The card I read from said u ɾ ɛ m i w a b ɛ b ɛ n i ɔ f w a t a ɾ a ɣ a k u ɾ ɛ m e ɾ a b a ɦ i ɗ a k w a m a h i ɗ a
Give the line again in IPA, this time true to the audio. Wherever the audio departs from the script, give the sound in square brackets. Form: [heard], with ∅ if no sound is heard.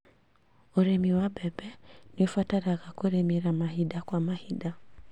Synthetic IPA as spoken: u ɾ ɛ m i w a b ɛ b ɛ n i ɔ f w a t a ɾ a ɣ a k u ɾ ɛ m [i] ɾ a [m] a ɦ i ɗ a k w a m a h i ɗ a